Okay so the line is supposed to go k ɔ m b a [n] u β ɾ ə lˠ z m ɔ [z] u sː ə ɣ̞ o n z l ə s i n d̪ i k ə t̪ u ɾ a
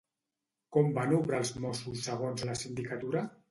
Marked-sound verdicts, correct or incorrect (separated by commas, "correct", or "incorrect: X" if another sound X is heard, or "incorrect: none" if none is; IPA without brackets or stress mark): correct, incorrect: s